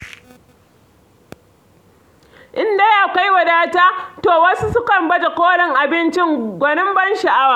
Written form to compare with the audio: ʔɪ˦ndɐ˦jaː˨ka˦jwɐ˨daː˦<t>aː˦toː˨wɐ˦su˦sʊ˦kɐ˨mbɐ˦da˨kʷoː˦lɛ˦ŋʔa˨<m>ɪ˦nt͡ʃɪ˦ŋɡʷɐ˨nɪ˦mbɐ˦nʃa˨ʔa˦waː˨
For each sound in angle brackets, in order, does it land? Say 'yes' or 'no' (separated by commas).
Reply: yes, no